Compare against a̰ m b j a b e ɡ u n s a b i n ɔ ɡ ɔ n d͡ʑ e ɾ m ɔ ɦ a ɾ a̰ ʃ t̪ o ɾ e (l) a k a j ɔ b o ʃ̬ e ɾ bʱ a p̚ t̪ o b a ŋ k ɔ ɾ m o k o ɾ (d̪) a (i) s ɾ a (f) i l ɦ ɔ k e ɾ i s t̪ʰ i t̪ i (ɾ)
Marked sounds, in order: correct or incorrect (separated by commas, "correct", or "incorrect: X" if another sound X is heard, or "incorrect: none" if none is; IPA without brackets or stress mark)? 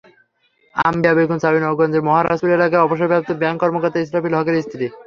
correct, incorrect: t̪, correct, correct, incorrect: none